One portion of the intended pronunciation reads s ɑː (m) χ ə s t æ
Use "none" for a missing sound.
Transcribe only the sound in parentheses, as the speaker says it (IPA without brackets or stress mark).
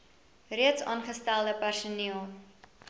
n